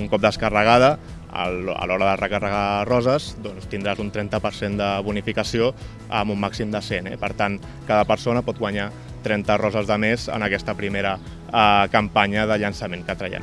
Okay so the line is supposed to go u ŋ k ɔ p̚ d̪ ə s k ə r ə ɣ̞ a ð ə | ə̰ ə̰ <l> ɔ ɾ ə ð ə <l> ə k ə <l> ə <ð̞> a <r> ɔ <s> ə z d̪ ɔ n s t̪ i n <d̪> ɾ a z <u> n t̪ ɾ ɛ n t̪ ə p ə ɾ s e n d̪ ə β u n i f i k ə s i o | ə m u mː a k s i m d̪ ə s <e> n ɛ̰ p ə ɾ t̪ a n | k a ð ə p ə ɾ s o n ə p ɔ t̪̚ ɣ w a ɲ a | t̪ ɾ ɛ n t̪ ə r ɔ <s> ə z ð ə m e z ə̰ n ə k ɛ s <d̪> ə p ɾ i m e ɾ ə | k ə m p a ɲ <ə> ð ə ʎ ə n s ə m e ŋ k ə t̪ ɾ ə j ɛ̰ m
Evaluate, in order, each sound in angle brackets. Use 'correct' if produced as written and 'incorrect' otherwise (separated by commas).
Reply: correct, incorrect, incorrect, incorrect, correct, incorrect, correct, correct, correct, incorrect, incorrect, correct